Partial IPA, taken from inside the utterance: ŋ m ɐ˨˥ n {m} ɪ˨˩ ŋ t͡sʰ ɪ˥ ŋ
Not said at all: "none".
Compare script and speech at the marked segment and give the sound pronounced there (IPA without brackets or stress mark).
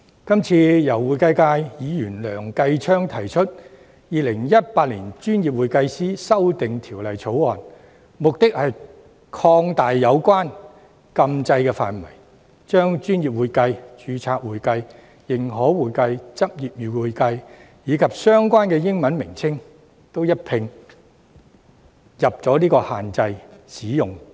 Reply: m